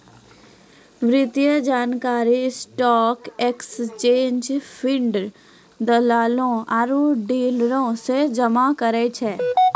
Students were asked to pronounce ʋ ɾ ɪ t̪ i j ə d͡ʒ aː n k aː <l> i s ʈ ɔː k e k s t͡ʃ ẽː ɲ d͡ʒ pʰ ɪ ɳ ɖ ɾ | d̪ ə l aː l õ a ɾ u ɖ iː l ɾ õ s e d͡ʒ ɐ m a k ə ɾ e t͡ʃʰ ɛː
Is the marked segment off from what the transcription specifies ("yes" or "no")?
yes